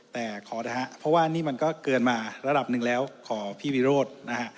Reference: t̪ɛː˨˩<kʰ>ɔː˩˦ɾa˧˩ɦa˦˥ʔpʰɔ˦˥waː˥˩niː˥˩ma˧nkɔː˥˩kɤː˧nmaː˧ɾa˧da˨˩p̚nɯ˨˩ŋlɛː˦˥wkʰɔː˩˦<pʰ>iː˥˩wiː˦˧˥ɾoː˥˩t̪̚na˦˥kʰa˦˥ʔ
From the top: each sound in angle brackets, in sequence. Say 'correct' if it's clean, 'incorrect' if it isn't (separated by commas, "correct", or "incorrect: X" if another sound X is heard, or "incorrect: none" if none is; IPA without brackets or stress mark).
correct, correct